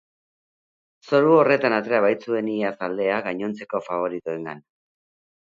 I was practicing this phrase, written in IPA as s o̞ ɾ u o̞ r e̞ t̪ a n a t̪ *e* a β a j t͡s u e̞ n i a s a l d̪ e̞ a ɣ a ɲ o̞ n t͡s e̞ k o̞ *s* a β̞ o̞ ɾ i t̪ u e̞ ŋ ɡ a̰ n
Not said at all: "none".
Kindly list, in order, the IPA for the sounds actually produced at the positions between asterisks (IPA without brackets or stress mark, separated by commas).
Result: e, f